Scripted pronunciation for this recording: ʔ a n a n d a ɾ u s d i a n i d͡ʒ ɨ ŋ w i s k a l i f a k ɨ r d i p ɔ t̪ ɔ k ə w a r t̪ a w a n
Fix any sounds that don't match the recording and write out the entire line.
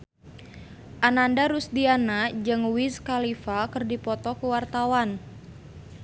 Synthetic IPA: ʔ a n a n d a ɾ u s d i a n a d͡ʒ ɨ ŋ w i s k a l i f a k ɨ r d i p ɔ t̪ ɔ k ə w a r t̪ a w a n